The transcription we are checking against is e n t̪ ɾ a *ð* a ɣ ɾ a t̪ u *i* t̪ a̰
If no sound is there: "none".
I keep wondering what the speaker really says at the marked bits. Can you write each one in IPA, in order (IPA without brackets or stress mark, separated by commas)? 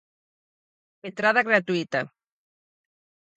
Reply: ð, i